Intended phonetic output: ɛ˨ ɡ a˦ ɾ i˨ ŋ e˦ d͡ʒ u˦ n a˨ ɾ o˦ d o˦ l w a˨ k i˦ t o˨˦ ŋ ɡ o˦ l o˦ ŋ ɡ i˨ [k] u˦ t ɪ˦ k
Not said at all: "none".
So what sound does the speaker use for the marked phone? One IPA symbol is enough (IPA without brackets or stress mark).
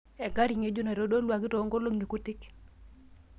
k